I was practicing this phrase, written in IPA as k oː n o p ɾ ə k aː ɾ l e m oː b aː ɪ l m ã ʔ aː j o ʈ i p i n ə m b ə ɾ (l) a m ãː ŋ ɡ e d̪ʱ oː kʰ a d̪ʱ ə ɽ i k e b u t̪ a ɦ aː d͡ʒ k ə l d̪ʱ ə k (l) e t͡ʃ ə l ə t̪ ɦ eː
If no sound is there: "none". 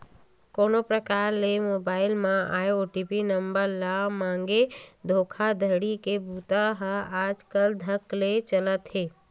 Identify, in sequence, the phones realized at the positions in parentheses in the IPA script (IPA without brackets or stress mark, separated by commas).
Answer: l, l